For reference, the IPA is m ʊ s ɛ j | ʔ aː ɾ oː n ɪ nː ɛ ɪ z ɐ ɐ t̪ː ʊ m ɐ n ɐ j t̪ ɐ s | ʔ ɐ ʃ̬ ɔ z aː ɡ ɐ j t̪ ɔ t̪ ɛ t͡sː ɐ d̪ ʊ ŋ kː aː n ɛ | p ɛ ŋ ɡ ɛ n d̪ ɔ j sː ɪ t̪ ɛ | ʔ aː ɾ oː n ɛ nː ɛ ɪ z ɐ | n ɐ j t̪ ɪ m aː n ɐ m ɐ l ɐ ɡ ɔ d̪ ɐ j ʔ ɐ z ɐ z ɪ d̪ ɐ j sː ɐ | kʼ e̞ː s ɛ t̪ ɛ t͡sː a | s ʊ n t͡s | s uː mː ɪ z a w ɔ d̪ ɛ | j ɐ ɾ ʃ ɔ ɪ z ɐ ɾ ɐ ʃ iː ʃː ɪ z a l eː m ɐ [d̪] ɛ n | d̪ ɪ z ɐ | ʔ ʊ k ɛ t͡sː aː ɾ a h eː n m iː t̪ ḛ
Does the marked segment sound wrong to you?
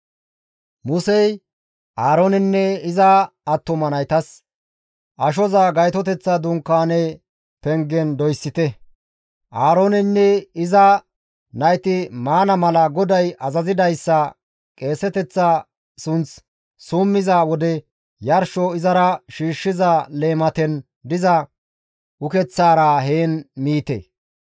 yes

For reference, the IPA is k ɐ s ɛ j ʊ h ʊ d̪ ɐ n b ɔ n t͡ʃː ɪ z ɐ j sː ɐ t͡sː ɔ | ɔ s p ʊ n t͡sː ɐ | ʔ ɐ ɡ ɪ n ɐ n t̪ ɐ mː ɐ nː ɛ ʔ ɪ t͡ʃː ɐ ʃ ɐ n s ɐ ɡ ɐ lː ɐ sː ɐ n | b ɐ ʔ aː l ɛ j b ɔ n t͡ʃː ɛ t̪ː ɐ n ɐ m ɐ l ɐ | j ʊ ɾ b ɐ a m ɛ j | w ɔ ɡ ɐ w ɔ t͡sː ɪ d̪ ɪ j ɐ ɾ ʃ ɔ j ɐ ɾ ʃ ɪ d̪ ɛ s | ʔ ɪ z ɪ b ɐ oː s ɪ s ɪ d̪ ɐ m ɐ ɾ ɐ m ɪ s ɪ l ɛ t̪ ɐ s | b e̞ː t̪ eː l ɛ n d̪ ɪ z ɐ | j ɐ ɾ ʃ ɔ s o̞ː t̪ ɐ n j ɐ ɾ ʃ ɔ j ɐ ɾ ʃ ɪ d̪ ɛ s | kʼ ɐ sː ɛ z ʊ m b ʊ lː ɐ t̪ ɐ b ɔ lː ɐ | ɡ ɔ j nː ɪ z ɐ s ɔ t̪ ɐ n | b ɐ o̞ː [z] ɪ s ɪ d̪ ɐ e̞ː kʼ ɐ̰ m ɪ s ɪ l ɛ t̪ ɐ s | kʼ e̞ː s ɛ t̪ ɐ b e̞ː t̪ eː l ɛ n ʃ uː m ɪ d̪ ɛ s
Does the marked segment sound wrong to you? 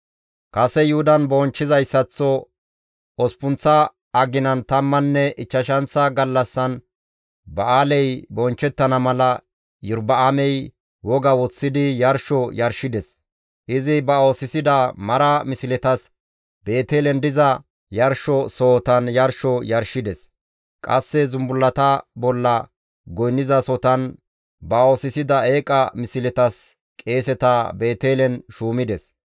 yes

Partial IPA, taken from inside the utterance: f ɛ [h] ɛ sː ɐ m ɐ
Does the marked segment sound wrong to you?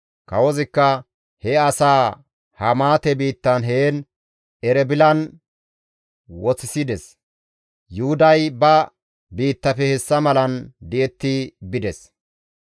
no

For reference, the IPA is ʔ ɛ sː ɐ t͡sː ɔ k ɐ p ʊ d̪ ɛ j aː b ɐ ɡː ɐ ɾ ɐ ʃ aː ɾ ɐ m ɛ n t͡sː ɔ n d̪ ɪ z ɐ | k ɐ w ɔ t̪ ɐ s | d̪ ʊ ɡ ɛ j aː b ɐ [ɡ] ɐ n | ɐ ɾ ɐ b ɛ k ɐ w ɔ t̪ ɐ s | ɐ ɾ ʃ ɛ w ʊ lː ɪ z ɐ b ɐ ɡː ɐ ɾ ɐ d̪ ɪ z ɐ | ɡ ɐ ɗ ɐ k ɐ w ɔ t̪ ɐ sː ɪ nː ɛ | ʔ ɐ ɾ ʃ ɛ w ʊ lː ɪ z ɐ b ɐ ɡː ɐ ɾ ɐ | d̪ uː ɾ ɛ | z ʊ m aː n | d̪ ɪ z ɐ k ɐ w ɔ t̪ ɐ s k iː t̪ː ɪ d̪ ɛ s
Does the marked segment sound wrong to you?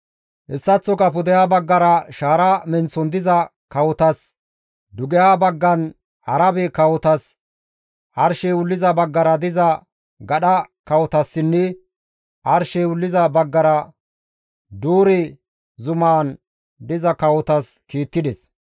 yes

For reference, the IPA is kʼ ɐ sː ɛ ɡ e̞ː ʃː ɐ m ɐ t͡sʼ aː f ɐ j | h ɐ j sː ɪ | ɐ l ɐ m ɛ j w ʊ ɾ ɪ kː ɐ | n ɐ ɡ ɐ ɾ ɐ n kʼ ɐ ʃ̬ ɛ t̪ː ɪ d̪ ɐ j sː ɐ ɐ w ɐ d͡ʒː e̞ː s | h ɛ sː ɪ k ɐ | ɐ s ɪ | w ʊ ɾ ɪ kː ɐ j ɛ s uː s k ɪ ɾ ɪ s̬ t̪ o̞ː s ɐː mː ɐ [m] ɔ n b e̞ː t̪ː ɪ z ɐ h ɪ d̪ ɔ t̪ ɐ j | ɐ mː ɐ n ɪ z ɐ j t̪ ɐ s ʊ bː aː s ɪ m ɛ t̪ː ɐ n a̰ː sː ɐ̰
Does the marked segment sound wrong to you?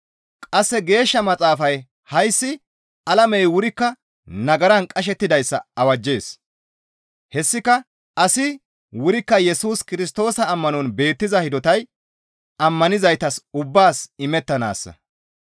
yes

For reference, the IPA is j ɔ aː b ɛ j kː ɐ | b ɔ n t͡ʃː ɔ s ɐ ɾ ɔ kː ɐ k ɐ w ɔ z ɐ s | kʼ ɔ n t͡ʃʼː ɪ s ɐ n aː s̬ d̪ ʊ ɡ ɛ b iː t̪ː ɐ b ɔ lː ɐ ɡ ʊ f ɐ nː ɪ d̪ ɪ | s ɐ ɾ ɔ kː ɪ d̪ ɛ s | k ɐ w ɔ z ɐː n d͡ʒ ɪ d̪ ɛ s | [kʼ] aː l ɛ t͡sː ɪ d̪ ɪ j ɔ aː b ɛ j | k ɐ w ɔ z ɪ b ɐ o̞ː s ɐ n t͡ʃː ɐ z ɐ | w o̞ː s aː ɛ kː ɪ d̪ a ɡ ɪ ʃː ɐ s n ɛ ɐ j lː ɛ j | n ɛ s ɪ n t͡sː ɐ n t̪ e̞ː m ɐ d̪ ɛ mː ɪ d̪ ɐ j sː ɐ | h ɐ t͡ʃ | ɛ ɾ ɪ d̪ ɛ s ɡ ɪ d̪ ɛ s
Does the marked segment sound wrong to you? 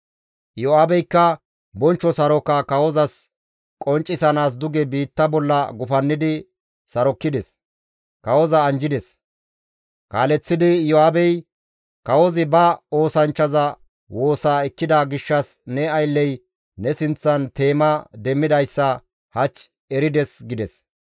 yes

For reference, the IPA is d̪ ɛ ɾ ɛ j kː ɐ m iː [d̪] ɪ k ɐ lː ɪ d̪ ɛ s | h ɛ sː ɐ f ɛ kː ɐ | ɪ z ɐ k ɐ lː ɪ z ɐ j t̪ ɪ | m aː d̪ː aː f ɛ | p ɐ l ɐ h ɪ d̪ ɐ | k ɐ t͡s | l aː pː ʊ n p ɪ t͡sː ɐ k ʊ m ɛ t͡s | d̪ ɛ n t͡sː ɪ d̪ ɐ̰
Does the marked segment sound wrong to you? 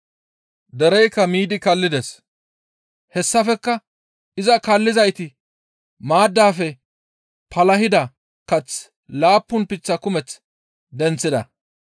no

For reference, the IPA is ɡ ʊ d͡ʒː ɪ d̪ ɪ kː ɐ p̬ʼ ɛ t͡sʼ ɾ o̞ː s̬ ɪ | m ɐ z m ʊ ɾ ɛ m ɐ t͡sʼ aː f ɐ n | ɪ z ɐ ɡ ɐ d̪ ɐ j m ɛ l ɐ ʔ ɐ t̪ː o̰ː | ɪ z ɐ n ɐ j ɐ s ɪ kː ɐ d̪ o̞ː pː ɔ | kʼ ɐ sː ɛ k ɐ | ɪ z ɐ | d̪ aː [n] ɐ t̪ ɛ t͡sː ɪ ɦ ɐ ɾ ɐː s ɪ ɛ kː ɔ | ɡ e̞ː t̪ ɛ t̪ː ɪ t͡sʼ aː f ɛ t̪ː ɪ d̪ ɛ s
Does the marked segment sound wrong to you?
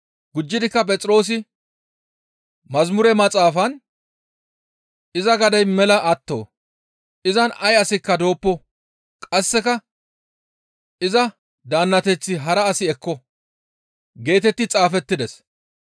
yes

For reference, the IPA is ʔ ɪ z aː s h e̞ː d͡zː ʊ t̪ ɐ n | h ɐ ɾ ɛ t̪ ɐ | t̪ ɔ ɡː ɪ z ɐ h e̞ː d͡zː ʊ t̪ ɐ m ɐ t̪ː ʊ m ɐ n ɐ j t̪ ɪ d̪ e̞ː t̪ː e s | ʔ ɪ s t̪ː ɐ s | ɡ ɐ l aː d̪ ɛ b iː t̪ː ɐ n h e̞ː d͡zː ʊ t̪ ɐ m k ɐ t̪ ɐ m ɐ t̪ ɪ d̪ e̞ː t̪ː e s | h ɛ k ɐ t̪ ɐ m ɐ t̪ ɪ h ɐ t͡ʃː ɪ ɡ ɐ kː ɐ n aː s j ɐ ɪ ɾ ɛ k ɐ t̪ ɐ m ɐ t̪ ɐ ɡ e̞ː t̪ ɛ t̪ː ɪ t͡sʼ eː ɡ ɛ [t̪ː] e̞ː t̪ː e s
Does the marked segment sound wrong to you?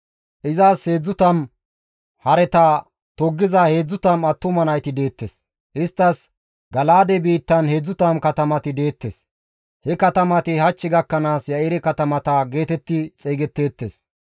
no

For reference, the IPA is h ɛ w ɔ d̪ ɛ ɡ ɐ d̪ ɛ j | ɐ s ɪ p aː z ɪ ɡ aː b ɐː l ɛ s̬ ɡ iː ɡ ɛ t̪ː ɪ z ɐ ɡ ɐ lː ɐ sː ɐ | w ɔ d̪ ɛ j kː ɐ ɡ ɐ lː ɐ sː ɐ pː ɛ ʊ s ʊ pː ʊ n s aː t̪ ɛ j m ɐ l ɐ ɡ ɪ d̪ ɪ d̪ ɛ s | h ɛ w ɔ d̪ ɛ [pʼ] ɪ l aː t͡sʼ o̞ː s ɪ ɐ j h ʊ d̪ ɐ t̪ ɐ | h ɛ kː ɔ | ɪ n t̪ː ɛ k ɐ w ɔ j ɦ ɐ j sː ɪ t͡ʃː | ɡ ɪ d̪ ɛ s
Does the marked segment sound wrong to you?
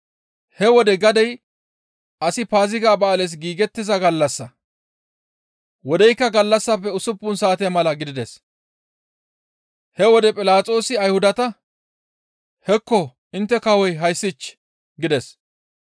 no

